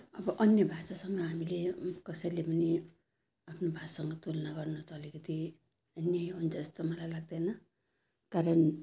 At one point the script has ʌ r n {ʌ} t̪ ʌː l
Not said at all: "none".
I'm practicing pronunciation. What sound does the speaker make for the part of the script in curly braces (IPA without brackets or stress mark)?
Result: ʌ